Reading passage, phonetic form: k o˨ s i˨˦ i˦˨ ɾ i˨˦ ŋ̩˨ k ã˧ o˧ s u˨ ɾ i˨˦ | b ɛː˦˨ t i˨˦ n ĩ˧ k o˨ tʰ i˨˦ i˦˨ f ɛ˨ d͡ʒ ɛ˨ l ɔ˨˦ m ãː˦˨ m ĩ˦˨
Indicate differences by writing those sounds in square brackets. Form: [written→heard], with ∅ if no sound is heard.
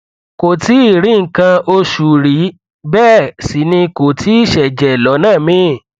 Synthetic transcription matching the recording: k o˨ [s→t] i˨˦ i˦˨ ɾ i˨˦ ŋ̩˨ k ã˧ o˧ [s→ʃ] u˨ ɾ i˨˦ | b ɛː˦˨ [t→s] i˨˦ n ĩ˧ k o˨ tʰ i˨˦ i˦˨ [f→ʃ] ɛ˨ d͡ʒ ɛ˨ l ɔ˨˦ [m→n] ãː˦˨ m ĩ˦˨

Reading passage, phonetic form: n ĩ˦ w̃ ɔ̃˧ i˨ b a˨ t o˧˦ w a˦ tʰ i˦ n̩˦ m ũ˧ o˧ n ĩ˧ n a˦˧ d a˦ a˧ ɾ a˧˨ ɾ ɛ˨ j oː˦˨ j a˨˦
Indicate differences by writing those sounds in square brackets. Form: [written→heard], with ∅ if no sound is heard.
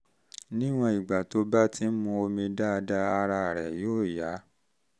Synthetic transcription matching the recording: n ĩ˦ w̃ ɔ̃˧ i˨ [b→ɡ͡b] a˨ t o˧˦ [w→b] a˦ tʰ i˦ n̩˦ m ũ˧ o˧ [n→m] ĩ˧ [n→d] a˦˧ d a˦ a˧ ɾ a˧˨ ɾ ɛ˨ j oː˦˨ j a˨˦

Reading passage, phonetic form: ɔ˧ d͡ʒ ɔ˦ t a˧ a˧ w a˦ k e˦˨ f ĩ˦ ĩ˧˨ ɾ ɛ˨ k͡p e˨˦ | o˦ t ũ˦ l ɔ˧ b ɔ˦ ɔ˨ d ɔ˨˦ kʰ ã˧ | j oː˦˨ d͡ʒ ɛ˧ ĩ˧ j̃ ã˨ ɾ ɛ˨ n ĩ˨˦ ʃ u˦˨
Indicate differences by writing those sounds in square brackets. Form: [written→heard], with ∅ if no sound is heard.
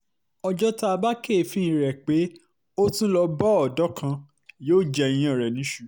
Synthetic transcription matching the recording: ɔ˧ d͡ʒ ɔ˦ t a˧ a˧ [w→b] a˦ k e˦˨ f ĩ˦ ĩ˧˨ ɾ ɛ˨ k͡p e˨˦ | o˦ t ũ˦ l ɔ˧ b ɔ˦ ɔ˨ d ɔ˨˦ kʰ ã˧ | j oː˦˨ d͡ʒ ɛ˧ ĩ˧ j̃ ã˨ ɾ ɛ˨ n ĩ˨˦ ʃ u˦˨

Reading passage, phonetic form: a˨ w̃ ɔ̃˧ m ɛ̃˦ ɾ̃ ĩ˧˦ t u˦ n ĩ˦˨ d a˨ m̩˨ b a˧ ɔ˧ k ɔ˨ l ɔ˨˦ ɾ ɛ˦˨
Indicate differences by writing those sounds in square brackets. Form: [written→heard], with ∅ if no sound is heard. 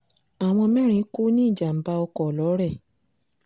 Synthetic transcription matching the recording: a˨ w̃ ɔ̃˧ m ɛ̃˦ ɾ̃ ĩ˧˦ [t→k] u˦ n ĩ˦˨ [d→d͡ʒ] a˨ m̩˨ b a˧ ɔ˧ k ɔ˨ l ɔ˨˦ ɾ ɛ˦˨

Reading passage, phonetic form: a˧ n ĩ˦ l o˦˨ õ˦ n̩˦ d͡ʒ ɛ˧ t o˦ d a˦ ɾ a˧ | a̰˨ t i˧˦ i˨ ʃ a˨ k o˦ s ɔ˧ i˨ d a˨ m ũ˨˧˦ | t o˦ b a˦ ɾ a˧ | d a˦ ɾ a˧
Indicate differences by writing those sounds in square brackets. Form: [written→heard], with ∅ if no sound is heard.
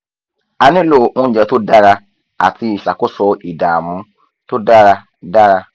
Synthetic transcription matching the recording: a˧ n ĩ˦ l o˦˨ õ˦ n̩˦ d͡ʒ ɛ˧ t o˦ d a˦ ɾ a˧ | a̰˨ t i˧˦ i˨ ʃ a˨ k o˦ s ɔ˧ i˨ d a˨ m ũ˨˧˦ | t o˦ [b→d] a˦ ɾ a˧ | d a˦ ɾ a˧

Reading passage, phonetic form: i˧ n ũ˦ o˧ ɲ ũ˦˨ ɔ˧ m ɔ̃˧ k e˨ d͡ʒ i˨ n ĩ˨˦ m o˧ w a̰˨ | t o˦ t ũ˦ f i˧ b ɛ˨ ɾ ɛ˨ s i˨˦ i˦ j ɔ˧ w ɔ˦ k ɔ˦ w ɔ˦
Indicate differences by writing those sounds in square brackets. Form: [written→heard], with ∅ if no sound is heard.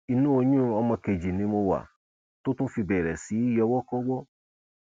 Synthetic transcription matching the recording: i˧ n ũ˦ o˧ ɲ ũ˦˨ ɔ˧ m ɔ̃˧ k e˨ d͡ʒ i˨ n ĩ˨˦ m o˧ w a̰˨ | t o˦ t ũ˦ f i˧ b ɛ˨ ɾ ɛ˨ s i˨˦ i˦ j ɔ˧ w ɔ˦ k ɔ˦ w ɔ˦

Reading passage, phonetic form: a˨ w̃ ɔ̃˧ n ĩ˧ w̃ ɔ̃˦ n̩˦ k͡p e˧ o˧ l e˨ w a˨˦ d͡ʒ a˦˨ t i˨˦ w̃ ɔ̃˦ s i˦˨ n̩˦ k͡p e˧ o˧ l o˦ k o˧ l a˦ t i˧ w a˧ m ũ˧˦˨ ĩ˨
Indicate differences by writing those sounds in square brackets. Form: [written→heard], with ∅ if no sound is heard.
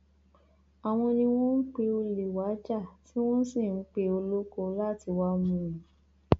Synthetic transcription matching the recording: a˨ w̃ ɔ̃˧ n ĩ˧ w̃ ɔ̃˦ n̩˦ k͡p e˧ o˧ l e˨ w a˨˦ d͡ʒ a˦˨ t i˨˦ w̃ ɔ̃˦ s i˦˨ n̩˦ k͡p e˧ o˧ l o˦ k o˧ l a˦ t i˧ w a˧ m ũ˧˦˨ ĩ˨

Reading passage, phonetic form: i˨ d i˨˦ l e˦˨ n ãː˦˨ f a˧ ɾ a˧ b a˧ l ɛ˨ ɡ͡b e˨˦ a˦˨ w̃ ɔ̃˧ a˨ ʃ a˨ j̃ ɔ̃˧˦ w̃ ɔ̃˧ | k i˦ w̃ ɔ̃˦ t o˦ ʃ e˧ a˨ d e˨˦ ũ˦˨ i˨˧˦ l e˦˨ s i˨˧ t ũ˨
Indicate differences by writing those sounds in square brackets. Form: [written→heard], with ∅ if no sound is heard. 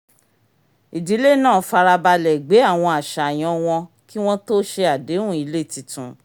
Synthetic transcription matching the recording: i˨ d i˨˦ l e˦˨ n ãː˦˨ f a˧ ɾ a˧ b a˧ l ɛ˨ ɡ͡b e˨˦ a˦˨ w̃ ɔ̃˧ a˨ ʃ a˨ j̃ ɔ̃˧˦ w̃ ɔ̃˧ | k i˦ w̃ ɔ̃˦ t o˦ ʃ e˧ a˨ d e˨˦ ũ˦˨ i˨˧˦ l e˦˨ [s→t] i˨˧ t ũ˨

